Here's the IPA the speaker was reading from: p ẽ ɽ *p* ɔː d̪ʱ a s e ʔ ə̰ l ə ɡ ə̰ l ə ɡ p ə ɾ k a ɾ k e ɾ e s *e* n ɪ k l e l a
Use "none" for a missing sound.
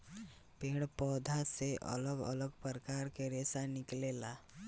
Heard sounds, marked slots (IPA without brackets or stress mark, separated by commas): p, a